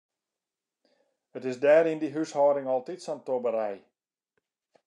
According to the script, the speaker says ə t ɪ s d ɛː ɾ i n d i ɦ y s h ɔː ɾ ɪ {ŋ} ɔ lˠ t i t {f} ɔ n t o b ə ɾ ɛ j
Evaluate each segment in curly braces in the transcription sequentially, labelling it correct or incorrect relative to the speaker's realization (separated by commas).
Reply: correct, incorrect